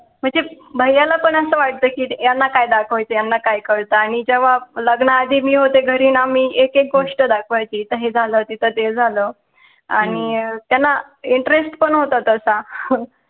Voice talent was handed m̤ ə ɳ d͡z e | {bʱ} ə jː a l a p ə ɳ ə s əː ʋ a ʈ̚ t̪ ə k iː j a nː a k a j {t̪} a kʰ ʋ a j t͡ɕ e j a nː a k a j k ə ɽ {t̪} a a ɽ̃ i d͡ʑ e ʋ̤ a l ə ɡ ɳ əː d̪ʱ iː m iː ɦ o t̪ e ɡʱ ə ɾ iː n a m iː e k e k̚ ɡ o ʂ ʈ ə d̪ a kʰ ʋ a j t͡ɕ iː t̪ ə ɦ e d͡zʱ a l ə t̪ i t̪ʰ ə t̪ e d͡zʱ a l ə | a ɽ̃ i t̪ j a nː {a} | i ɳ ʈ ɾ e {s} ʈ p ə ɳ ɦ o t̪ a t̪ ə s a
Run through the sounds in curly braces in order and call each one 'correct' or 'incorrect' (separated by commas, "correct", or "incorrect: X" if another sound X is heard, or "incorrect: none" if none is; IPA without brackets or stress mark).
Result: correct, incorrect: d̪, correct, correct, correct